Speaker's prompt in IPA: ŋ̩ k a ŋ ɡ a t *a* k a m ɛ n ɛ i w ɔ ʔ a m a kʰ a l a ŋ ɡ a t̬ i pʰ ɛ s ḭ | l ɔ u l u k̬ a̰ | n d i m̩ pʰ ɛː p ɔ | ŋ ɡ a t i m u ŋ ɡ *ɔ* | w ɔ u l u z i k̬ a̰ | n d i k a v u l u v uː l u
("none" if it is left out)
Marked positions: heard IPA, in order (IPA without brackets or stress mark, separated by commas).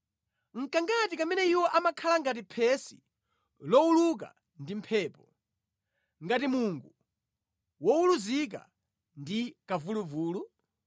i, u